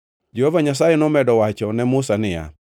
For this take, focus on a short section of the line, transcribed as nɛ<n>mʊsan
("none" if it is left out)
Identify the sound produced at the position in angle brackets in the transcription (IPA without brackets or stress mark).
none